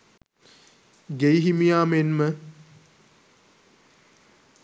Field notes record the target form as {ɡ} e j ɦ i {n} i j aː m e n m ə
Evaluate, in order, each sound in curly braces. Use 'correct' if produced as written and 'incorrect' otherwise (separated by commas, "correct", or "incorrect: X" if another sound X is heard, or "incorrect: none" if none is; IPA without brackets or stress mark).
correct, incorrect: m